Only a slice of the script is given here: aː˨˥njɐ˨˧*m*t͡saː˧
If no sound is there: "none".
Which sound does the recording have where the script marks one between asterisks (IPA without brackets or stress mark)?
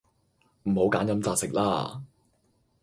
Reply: m